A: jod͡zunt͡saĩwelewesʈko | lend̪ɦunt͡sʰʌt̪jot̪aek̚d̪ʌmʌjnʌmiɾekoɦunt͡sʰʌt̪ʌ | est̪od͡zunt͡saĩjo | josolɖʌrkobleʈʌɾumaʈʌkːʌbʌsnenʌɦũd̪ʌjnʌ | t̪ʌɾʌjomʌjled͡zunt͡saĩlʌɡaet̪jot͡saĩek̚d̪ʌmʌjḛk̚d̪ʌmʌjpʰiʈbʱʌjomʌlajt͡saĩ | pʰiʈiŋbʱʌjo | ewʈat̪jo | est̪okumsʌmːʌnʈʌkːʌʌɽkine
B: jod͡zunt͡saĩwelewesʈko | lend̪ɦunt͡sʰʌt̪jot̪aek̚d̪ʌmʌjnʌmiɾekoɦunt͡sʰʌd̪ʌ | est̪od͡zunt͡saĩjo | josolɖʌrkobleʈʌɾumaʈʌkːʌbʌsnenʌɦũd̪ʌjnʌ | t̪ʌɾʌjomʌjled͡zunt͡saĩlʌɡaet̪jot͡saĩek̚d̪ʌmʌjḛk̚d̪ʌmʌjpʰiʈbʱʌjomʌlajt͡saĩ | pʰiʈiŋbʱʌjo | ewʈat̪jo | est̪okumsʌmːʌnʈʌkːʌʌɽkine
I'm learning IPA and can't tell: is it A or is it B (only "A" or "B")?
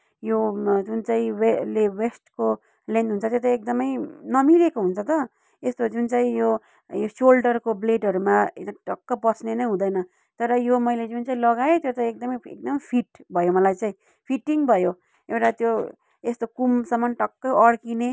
A